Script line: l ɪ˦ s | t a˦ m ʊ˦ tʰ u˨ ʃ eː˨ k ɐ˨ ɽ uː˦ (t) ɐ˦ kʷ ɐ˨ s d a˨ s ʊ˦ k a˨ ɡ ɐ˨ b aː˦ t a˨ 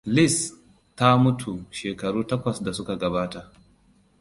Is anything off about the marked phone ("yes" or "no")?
no